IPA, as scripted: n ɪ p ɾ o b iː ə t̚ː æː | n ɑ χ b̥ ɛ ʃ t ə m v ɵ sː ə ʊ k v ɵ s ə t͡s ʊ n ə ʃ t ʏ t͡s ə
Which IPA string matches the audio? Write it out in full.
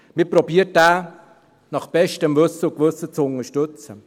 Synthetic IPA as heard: m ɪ p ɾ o b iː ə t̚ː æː | n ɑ χ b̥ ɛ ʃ t ə m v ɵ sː ə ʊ k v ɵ s ə t͡s ʊ n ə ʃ t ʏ t͡s ə